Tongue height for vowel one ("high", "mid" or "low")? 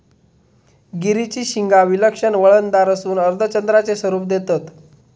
high